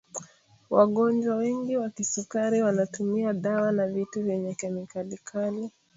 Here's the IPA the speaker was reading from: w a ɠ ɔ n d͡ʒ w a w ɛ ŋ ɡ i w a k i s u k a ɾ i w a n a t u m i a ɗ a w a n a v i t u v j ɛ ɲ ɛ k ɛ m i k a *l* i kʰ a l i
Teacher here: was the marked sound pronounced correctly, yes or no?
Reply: yes